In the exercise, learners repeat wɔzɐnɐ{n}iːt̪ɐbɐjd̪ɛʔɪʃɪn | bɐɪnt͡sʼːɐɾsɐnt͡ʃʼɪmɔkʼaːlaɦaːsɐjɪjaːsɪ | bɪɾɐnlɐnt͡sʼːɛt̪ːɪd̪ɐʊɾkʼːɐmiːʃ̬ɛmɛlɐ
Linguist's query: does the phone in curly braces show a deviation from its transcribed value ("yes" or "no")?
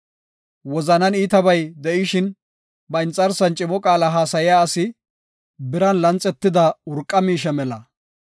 no